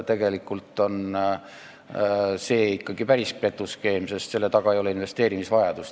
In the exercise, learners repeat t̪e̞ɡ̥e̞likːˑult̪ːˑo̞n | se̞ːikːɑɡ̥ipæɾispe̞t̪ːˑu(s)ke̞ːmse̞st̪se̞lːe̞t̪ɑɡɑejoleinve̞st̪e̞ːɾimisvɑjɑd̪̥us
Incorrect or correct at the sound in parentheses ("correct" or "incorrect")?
correct